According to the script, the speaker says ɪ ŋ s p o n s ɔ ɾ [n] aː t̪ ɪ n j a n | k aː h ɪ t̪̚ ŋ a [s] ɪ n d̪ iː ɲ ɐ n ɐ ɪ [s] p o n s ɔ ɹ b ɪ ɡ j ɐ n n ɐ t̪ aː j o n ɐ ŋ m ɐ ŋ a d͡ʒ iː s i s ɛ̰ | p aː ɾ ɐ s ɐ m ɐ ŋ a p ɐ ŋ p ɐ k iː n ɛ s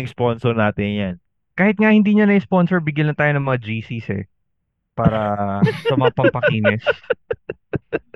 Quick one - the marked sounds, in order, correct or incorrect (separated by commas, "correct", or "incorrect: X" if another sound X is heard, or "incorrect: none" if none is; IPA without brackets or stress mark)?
correct, incorrect: h, correct